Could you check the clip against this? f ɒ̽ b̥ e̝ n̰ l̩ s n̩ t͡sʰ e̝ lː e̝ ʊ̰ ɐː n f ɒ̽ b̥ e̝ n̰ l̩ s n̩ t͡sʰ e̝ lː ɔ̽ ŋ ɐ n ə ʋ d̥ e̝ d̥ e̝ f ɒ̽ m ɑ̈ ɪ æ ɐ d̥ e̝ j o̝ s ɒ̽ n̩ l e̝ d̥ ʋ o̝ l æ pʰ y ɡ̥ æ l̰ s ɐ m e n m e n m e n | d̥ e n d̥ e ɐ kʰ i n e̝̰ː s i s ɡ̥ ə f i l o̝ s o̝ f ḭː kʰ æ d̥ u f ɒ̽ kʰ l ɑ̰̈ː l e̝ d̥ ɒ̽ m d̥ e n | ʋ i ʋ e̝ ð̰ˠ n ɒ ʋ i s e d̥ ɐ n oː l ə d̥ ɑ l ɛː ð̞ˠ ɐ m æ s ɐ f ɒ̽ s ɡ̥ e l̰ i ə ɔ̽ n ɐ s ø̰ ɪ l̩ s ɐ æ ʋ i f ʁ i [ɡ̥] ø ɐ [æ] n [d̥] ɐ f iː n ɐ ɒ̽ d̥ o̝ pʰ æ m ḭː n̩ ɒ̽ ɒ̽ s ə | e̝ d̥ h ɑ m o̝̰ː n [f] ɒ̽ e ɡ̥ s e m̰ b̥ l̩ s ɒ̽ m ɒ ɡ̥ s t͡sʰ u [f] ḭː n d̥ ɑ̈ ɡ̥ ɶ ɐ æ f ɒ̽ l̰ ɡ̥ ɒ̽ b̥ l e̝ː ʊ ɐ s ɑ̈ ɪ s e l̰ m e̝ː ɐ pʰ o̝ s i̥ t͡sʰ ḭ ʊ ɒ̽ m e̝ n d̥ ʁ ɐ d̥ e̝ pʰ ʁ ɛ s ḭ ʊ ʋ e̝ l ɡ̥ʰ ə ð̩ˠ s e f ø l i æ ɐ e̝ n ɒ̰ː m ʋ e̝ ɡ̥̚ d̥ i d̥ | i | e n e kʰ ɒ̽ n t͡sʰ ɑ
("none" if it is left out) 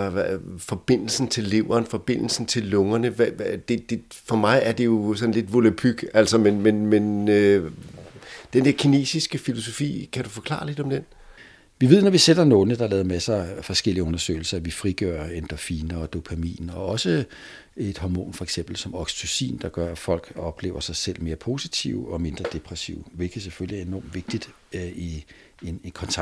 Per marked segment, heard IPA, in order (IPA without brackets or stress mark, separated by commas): ɡ̥, e, d̥, f, s